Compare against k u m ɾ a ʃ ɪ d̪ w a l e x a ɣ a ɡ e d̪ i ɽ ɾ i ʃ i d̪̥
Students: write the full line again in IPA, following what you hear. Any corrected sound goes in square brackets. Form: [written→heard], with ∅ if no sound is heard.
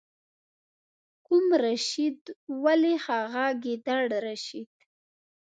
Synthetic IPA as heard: k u m ɾ a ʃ [ɪ→i] d̪ w a l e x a ɣ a ɡ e d̪ [i→a] ɽ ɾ [i→a] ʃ i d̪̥

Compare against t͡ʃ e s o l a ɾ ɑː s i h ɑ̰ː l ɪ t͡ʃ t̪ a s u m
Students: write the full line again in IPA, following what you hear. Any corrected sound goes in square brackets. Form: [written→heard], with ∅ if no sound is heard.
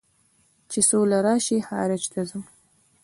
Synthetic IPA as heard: t͡ʃ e s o l a ɾ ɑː [s→ʃ] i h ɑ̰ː [l→ɾ] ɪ t͡ʃ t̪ a [s→z] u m

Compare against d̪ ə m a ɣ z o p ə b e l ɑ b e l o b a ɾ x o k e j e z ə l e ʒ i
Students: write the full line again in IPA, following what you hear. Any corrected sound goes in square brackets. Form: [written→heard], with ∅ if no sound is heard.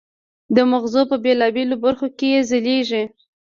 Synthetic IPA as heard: d̪ ə m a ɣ z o p ə b e l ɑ b e l o b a ɾ x o k e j e z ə l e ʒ i

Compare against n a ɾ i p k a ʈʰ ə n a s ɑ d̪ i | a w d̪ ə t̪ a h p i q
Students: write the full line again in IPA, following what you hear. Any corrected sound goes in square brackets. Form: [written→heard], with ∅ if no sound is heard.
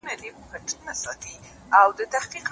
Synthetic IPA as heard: n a [ɾ→l] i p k a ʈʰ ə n a s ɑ [d̪→t̪] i | a w d̪ ə t̪ a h [p→q] i q

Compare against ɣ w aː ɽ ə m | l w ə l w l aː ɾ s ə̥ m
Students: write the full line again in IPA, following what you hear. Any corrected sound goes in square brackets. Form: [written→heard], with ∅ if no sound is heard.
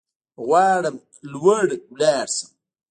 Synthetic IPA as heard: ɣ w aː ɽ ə m | l w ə [l→ɽ] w l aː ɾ s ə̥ m

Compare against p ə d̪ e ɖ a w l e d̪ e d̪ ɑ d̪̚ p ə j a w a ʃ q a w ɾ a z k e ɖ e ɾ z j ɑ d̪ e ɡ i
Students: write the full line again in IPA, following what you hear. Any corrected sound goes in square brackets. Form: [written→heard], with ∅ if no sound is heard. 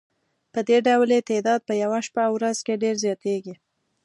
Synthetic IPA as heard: p ə d̪ e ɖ a w l e [d̪→t̪] e d̪ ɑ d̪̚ p ə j a w a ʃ [q→p] a w ɾ a z k e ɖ e ɾ z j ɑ [d̪→t̪] e ɡ i

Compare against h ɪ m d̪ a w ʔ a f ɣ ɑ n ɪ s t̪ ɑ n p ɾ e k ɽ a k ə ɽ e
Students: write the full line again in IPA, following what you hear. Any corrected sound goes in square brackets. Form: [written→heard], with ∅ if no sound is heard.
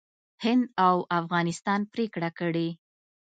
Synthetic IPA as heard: h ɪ [m→n] d̪ a w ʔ a f ɣ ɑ n ɪ s t̪ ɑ n p ɾ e k ɽ a k ə ɽ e

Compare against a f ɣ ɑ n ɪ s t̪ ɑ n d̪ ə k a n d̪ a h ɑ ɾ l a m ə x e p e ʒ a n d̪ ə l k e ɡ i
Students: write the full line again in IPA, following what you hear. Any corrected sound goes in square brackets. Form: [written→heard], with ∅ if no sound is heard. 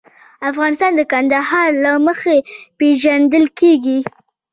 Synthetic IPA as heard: a f ɣ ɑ n ɪ s t̪ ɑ n d̪ ə k a n d̪ a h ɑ ɾ l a m ə x e p e ʒ a n d̪ ə l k e ɡ i

